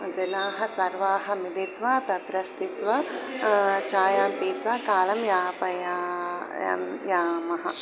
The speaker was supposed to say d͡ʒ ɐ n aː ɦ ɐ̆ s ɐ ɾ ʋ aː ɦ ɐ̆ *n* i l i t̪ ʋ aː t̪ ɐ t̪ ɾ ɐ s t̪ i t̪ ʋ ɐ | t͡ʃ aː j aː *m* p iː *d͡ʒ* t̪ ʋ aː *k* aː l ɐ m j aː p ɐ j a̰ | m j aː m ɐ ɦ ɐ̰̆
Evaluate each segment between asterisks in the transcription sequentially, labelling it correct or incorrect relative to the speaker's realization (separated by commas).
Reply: incorrect, correct, incorrect, correct